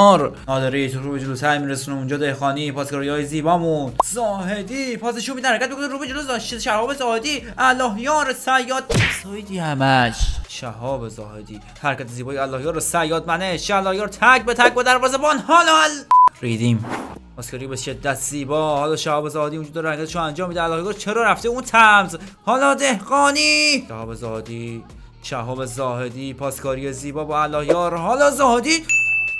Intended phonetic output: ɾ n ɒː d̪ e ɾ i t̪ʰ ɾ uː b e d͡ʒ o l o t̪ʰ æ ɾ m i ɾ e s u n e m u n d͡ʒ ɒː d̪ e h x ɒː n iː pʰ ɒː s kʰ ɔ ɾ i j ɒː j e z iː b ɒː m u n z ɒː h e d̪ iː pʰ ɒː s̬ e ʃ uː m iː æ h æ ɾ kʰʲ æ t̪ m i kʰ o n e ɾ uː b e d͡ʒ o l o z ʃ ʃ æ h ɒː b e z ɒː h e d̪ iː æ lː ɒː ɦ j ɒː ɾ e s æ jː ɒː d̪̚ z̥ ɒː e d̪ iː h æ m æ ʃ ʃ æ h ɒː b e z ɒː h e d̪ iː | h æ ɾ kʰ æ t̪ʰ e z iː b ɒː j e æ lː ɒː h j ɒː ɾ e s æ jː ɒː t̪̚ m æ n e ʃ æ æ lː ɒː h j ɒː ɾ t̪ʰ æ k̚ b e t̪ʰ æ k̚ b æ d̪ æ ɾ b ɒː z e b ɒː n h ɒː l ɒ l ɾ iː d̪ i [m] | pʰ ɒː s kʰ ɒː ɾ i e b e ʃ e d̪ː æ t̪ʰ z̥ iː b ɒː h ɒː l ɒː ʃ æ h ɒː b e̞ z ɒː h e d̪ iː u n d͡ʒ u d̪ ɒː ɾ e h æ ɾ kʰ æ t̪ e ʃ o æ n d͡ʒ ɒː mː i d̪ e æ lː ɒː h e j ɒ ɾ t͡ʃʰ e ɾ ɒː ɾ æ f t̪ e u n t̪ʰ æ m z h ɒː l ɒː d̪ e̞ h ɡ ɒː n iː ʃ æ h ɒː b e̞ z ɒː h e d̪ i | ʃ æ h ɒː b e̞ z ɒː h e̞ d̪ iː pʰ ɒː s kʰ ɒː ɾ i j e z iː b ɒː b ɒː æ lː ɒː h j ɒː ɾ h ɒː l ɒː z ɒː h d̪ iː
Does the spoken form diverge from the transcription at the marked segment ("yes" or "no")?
no